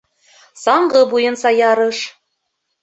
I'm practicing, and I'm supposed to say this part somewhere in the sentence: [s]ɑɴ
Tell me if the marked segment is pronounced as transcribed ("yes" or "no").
yes